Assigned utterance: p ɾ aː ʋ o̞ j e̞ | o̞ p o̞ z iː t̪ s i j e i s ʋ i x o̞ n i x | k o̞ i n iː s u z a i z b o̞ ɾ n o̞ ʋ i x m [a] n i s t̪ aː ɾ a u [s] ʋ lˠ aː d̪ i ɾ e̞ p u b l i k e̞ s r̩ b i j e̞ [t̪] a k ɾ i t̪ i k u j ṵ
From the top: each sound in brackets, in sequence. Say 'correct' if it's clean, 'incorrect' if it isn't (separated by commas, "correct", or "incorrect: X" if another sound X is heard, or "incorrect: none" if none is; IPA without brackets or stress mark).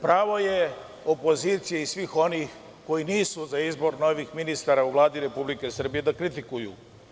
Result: incorrect: i, incorrect: none, incorrect: d̪